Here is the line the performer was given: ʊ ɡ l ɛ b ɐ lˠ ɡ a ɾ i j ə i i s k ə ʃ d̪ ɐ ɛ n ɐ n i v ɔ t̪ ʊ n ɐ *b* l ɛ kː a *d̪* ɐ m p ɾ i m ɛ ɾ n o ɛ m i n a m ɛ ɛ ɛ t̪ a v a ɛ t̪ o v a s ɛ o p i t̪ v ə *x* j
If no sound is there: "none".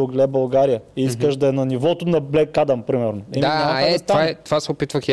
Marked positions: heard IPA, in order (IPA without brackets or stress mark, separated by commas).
b, d̪, x